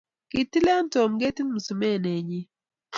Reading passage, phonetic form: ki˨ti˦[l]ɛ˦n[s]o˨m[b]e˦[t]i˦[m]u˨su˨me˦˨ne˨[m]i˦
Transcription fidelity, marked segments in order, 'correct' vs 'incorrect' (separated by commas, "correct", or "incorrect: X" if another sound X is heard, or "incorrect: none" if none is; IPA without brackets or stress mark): correct, incorrect: t, incorrect: ɡ, correct, correct, incorrect: ɲ